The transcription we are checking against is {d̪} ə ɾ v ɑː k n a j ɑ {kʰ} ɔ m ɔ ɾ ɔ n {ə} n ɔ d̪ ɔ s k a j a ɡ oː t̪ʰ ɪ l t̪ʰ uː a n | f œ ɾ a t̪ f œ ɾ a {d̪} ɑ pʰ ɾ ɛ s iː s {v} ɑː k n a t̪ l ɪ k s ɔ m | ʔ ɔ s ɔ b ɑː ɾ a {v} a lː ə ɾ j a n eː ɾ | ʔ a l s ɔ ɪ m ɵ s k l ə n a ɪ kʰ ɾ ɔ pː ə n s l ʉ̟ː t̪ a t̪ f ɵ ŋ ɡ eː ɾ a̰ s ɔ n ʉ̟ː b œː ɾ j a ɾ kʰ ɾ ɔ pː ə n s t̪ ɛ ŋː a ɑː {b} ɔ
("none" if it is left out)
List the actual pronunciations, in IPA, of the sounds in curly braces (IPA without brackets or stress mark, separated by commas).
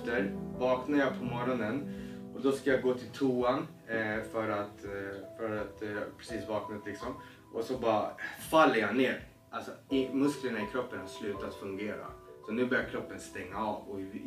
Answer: t̪, pʰ, ə, t̪, v, f, v